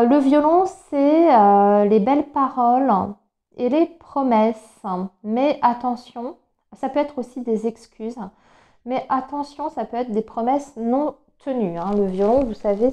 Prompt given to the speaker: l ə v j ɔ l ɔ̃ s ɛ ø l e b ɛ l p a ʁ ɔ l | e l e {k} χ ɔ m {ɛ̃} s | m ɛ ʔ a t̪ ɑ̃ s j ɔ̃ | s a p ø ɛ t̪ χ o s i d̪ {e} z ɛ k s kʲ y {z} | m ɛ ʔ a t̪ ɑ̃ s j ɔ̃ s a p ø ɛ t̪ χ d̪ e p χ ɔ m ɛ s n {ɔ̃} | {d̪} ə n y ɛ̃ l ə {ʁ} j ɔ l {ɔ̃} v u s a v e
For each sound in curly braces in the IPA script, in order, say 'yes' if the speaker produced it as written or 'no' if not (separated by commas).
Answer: no, no, yes, yes, yes, no, no, yes